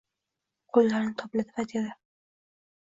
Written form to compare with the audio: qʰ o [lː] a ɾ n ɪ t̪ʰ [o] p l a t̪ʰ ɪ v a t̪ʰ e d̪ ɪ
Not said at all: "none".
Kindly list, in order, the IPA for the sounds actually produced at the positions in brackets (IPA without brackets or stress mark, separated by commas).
lː, ɒ